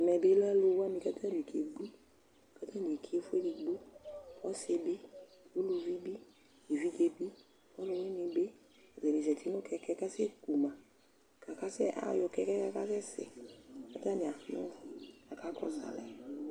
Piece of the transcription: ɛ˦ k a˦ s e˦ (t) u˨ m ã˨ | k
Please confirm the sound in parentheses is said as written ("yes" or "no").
no